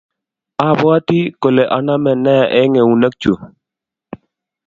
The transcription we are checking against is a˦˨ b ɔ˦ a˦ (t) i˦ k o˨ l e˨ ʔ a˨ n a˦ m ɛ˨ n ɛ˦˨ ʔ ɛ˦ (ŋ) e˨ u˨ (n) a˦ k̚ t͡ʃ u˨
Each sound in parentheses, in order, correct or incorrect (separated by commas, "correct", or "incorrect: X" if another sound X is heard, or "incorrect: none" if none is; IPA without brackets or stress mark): correct, correct, correct